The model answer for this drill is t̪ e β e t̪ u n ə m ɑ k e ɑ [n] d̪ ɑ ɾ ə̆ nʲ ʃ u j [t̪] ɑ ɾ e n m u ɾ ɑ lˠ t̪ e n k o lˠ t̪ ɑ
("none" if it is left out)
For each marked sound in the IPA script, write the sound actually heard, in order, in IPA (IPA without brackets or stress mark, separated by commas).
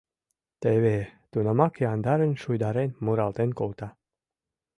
n, d̪